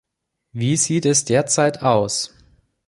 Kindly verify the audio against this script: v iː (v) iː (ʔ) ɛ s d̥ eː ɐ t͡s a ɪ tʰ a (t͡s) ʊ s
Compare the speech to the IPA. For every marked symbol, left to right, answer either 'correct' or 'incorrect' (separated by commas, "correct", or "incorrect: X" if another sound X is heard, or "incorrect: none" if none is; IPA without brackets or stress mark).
incorrect: z, incorrect: t, incorrect: none